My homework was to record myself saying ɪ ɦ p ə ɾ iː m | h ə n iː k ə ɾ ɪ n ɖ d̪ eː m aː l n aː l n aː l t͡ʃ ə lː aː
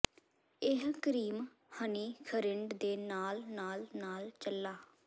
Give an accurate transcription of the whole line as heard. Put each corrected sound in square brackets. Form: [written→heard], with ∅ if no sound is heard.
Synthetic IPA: ɪ ɦ [p→k] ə ɾ iː m | h ə n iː [k→kʰ] ə ɾ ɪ [n→ɳ] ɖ d̪ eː [m→n] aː l n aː l n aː l t͡ʃ ə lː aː